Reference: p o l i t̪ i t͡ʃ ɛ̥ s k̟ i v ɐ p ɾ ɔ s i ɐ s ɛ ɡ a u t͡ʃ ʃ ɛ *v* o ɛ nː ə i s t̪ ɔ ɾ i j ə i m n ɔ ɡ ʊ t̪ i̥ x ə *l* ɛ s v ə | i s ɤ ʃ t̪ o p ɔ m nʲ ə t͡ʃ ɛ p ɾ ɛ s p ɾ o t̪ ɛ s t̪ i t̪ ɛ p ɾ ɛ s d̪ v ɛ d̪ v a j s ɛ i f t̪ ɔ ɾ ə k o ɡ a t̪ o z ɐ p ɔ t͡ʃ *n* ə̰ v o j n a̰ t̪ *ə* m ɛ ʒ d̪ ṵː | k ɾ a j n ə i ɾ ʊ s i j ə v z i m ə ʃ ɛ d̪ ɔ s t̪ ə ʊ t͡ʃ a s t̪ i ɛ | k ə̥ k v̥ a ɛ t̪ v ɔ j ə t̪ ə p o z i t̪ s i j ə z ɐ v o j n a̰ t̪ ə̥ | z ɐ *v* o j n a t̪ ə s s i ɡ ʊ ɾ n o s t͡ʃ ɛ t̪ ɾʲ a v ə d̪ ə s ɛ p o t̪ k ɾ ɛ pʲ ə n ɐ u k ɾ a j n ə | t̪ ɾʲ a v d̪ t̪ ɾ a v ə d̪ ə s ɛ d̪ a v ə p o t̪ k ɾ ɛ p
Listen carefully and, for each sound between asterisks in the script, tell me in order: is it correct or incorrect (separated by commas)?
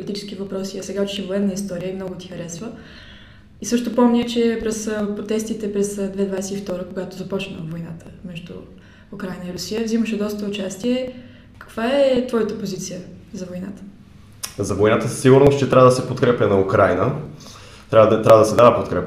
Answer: correct, incorrect, correct, correct, correct